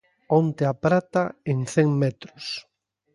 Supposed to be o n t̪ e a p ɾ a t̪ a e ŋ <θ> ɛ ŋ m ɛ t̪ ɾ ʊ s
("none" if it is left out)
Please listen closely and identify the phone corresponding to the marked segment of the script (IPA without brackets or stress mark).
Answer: θ